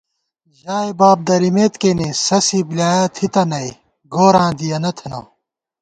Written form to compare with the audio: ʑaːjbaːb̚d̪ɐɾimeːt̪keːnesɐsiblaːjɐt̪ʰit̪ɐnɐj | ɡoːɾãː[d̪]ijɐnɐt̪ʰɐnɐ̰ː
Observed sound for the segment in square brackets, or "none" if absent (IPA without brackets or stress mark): d̪